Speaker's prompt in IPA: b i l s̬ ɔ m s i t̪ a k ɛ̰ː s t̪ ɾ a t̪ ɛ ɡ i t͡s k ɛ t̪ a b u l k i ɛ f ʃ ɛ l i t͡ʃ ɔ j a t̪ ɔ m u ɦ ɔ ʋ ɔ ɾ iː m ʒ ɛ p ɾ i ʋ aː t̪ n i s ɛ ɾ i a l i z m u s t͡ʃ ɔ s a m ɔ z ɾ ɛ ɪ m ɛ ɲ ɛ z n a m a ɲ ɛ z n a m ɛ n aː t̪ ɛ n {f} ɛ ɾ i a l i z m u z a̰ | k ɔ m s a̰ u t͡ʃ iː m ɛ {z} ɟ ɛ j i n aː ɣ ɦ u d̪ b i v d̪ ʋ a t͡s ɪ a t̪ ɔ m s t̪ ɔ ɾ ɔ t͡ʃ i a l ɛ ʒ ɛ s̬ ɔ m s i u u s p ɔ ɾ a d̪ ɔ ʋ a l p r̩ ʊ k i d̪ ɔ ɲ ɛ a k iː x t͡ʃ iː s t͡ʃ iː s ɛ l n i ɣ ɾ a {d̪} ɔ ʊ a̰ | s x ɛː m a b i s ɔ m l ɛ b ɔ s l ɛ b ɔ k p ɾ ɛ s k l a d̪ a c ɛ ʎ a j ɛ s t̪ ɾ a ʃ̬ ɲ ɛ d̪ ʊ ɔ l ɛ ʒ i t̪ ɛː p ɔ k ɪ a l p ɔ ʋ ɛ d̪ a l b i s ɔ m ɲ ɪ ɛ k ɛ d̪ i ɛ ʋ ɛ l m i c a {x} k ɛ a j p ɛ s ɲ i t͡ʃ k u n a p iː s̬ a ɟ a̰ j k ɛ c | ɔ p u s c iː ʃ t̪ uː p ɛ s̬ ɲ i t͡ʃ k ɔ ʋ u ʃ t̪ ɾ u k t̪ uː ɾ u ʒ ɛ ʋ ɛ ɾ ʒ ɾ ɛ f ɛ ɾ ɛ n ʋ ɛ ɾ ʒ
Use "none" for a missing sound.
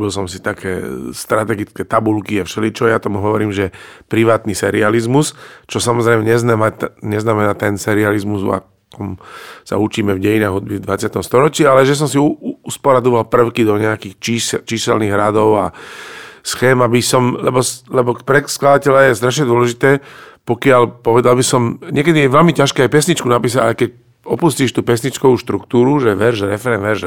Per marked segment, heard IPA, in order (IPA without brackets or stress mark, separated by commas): s, v, d̪, ʃ